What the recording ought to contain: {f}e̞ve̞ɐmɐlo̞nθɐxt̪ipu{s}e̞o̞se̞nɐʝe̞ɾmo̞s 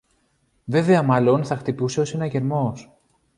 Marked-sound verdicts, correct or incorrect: incorrect: v, correct

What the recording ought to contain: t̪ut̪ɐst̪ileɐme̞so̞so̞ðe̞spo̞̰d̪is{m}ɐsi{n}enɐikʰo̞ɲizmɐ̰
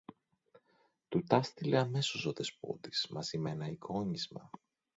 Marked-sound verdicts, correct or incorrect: correct, incorrect: m

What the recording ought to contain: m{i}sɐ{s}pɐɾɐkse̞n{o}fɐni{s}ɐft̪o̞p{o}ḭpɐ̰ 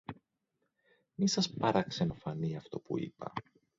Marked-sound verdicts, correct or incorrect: correct, correct, correct, incorrect: none, incorrect: u

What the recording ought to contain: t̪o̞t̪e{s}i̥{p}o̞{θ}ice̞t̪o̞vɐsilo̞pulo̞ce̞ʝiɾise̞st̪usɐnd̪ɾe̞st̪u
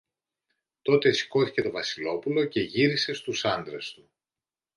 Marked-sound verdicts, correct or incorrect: correct, incorrect: k, correct

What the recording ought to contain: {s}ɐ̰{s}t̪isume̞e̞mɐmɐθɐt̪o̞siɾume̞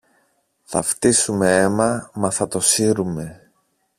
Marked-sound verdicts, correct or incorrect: incorrect: θ, incorrect: f

